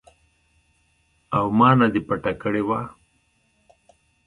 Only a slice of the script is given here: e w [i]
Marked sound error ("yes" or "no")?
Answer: yes